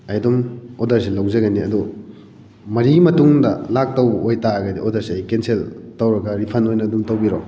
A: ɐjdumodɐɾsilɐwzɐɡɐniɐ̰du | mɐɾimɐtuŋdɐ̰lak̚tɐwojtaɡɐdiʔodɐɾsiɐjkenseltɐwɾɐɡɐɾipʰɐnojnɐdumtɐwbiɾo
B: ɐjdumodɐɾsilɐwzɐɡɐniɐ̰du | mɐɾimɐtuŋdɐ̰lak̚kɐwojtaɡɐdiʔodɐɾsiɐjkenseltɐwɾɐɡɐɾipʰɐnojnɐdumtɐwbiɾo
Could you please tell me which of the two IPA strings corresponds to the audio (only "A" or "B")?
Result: A